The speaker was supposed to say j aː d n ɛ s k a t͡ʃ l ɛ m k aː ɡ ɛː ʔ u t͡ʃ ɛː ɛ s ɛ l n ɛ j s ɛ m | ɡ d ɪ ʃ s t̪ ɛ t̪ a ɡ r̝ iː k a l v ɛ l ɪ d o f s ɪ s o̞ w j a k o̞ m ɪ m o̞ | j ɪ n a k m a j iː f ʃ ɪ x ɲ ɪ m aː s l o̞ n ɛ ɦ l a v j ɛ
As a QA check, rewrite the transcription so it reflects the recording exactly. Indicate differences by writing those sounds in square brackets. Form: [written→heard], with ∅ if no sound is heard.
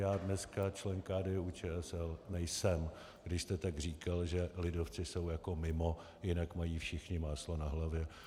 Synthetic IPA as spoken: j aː d n ɛ s k a t͡ʃ l ɛ [m→ŋ] k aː [ɡ→d] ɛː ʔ u t͡ʃ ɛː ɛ s ɛ l n ɛ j s ɛ m | ɡ d ɪ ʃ s t̪ ɛ t̪ a ɡ r̝ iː k a l [v→ʒ] ɛ l ɪ d o f [s→t͡s] ɪ s o̞ w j a k o̞ m ɪ m o̞ | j ɪ n a k m a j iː f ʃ ɪ x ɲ ɪ m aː s l o̞ n [ɛ→a] ɦ l a v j ɛ